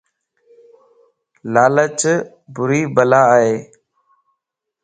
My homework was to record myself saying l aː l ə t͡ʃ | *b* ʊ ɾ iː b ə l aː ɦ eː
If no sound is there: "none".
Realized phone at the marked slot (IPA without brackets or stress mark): b